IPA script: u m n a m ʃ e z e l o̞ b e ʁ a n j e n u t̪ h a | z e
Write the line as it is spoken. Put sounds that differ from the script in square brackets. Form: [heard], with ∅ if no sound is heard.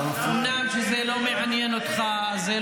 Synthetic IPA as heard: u m n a m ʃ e z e l o̞ [m] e [ʕ] a n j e n [o] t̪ [χ] a | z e